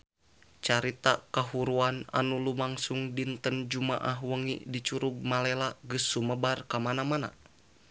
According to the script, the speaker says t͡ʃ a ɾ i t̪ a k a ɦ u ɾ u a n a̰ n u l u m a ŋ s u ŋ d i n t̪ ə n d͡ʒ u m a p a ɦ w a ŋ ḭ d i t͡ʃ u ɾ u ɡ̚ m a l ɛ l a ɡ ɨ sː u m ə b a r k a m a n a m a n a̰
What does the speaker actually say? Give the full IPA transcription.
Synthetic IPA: t͡ʃ a ɾ i t̪ a k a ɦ u ɾ u a n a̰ n u l u m a ŋ s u ŋ d i n t̪ ə n d͡ʒ u m a ʔ a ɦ w ə ŋ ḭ d i t͡ʃ u ɾ u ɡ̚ m a l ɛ l a ɡ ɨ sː u m ə b a r k a m a n a m a n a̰